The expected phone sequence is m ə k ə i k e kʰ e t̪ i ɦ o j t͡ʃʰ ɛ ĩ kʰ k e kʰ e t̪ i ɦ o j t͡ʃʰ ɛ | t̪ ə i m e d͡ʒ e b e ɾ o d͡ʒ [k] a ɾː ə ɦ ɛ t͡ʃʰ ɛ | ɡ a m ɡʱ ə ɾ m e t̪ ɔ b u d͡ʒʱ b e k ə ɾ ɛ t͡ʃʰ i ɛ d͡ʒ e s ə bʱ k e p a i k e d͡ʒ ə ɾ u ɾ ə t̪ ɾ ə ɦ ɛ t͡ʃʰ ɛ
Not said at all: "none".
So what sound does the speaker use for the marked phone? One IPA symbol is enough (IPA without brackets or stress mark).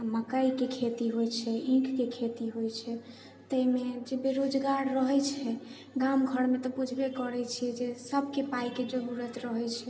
ɡ